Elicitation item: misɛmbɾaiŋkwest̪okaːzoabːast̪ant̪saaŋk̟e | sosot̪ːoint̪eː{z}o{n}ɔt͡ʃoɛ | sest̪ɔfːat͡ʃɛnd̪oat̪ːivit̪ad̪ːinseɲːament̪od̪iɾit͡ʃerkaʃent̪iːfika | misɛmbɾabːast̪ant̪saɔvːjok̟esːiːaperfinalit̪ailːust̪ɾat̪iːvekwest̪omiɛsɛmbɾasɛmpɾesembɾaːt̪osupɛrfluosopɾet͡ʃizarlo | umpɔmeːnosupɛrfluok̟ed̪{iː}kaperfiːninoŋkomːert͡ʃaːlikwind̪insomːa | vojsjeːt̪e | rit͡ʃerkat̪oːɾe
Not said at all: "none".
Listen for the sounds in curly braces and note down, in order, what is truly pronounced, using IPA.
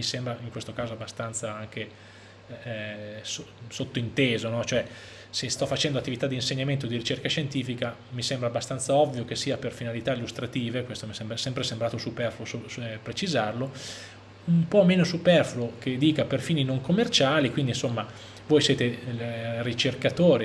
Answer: z, n, iː

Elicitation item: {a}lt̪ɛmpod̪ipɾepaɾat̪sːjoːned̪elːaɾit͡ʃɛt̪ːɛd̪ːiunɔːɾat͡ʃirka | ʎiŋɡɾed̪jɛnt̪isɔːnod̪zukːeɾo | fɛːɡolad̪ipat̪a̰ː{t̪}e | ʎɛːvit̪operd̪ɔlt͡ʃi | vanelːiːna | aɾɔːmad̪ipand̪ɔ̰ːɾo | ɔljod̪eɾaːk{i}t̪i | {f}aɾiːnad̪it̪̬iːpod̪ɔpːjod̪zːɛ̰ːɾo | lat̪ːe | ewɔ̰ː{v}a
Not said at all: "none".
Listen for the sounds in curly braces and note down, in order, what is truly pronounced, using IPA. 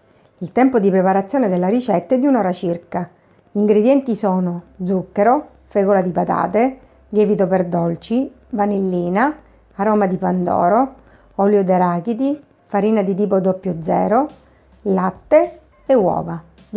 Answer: i, t̪, i, f, v

